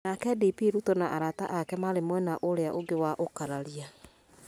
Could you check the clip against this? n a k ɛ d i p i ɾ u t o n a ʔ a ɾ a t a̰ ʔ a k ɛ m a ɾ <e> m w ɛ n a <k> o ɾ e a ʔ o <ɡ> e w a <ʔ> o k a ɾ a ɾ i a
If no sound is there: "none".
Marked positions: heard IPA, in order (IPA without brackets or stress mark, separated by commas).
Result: e, ʔ, ɡ, ʔ